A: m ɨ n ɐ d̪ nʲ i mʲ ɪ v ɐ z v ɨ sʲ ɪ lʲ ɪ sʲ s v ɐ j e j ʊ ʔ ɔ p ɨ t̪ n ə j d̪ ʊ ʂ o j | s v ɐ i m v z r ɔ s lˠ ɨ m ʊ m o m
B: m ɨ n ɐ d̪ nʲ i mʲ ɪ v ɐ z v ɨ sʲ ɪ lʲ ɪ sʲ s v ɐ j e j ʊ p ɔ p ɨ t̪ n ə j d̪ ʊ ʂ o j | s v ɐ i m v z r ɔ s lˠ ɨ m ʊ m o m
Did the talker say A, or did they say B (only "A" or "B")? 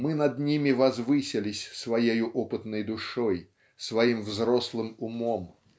A